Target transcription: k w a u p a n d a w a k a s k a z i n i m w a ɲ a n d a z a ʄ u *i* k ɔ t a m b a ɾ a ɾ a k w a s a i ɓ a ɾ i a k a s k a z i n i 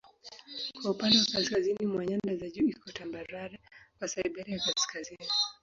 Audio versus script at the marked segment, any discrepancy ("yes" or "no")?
no